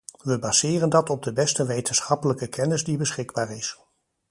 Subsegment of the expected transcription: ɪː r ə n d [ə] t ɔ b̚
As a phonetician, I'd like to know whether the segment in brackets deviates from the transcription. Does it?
yes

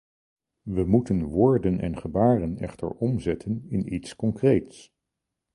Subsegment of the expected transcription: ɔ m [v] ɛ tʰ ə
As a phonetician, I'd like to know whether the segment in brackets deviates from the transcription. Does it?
yes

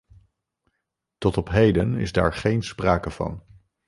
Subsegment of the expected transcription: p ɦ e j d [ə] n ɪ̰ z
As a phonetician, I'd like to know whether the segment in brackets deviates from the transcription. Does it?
no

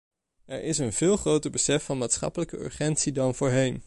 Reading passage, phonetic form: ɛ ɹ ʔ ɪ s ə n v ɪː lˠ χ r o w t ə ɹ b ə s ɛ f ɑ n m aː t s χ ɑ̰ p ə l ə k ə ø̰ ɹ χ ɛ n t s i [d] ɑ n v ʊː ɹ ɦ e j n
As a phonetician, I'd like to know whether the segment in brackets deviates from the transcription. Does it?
no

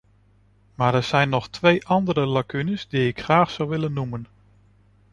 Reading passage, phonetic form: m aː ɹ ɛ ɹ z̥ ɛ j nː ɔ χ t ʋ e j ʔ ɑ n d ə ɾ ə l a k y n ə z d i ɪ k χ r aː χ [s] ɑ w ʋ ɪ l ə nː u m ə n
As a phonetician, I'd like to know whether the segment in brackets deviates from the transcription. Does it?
no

